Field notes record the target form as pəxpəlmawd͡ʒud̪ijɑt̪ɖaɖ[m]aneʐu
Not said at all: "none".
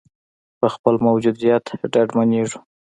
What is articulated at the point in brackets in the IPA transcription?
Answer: m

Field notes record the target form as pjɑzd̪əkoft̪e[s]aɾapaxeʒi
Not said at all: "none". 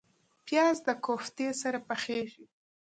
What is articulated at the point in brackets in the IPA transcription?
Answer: s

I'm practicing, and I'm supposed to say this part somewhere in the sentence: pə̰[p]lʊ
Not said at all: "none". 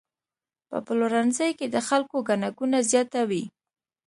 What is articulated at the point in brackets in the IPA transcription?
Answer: p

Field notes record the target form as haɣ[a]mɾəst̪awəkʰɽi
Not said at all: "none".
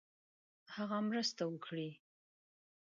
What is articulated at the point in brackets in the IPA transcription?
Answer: a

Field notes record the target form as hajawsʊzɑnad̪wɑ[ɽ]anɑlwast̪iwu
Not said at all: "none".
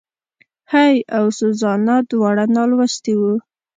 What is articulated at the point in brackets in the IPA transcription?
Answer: ɽ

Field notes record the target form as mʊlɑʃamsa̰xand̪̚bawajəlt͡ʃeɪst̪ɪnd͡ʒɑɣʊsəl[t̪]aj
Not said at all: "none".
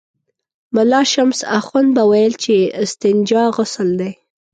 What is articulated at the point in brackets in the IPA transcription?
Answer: d̪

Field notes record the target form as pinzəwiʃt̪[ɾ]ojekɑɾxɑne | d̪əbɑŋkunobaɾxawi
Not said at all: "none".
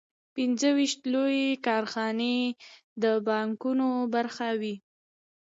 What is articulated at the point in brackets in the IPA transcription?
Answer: l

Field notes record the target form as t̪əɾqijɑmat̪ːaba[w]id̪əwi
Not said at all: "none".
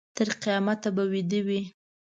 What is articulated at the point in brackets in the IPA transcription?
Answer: w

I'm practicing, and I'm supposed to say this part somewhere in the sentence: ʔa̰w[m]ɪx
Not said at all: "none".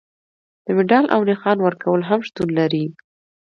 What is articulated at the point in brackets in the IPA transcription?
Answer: n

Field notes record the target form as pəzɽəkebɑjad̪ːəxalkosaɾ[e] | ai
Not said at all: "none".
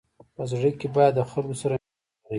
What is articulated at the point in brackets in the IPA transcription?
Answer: a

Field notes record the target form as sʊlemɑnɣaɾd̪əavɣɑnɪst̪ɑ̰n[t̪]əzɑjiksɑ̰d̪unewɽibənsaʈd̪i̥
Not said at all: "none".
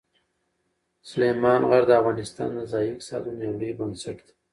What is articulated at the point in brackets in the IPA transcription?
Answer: d̪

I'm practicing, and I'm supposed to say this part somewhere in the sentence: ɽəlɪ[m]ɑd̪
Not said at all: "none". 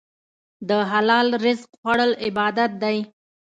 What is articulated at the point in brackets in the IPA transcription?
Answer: b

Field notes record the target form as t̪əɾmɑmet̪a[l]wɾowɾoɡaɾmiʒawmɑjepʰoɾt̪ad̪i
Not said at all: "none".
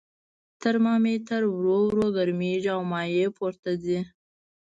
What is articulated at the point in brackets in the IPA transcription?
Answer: ɾ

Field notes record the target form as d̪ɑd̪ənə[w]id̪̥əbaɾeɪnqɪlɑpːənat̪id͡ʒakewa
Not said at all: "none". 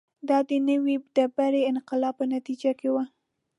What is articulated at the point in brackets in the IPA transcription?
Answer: w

